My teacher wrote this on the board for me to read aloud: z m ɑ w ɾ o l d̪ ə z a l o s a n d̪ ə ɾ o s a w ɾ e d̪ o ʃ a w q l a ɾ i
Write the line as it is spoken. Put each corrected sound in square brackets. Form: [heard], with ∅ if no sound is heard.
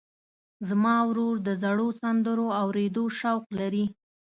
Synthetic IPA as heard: z m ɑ w ɾ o [ɾ] d̪ ə z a [ɽ] o s a n d̪ ə ɾ o [∅] a w ɾ e d̪ o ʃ a w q l a ɾ i